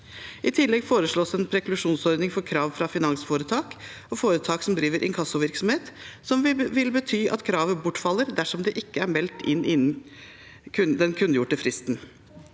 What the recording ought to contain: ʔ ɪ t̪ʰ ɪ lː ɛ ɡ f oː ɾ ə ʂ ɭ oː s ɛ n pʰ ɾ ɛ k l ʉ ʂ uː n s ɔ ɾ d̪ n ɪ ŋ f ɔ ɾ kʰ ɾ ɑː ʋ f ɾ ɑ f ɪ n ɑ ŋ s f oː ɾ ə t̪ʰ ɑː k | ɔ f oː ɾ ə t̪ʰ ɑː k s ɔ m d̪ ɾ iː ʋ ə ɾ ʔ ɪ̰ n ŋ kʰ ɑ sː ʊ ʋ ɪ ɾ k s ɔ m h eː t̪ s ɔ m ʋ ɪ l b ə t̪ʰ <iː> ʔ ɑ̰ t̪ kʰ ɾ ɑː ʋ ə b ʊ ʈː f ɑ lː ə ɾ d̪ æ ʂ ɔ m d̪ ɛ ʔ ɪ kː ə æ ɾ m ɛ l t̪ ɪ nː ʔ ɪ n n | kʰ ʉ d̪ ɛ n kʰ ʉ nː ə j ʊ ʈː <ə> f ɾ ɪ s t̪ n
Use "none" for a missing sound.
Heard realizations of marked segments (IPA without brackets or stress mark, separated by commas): yː, ə